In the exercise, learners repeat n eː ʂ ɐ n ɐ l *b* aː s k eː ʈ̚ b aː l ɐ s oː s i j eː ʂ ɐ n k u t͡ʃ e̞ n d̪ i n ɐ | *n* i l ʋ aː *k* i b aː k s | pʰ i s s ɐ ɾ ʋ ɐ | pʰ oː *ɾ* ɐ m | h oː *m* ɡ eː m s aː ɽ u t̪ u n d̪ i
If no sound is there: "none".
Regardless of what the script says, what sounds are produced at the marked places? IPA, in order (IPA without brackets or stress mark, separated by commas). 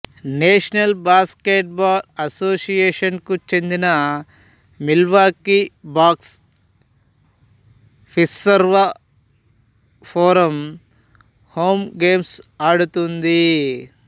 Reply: b, m, k, ɾ, m